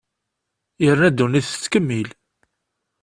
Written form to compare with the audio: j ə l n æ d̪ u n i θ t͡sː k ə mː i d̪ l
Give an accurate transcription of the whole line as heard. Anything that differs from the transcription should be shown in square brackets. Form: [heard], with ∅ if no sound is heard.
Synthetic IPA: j ə [ɾ] n æ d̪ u n i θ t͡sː k ə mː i [∅] l